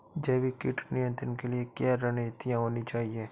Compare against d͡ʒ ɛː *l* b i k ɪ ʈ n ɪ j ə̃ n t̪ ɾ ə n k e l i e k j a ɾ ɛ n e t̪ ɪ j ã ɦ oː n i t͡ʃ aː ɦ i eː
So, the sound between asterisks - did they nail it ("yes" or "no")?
no